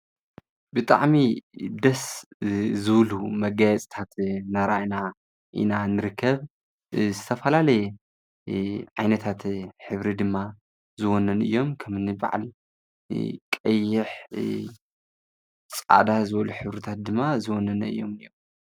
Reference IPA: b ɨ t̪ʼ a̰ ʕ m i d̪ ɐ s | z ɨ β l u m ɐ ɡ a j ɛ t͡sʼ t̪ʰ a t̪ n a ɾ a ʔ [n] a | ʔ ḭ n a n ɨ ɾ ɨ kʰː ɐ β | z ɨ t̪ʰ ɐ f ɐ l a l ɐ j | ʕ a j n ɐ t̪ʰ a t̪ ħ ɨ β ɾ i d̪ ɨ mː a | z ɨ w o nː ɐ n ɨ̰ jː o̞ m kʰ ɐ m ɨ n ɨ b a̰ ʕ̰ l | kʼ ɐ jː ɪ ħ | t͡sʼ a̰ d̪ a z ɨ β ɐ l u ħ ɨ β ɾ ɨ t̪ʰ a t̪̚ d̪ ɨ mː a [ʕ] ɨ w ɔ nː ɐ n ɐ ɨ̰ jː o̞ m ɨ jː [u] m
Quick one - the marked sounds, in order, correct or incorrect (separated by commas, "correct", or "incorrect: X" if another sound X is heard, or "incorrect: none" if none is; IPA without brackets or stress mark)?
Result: correct, incorrect: z, incorrect: o